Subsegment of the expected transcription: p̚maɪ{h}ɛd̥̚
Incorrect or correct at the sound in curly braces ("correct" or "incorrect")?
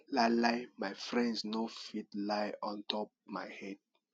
correct